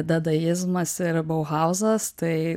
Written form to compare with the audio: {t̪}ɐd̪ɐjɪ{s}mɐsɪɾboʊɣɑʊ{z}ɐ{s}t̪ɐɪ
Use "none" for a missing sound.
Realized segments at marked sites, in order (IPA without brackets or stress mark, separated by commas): d̪, z, z, s